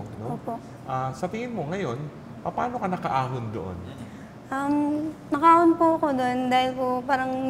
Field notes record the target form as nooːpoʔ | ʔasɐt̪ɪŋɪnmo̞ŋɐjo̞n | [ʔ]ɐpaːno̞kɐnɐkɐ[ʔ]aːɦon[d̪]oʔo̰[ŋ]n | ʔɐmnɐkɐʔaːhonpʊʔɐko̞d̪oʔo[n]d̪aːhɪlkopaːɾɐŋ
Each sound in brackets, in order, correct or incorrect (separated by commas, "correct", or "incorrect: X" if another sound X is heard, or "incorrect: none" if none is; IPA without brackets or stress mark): incorrect: p, correct, correct, incorrect: none, correct